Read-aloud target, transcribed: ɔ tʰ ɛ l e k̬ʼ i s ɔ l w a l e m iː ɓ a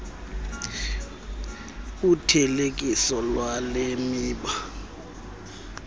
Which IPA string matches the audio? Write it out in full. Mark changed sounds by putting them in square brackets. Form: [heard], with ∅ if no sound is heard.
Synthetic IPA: [u] tʰ ɛ l e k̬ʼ i s ɔ l w a l e m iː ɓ a